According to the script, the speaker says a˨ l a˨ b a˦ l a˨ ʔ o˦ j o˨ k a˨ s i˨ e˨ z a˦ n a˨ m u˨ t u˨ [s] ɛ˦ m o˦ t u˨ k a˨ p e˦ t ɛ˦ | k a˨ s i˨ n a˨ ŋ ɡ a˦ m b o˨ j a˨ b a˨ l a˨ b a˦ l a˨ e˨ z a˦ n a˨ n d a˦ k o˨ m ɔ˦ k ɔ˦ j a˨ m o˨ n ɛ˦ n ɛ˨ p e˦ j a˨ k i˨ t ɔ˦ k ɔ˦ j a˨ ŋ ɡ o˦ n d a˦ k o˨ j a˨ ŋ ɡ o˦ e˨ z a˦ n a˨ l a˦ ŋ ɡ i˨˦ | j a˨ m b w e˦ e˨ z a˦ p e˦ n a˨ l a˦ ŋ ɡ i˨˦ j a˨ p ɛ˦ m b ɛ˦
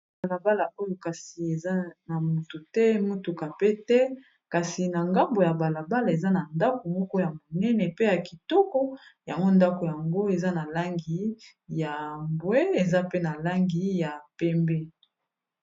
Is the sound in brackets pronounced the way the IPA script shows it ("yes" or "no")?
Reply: no